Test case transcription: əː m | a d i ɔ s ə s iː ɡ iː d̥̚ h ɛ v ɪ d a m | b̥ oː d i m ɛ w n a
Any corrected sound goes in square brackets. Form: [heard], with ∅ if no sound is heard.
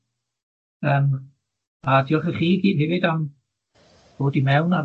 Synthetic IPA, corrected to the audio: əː m | a d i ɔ [χ] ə [χ] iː ɡ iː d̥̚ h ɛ v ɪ d a m | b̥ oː d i m ɛ w n a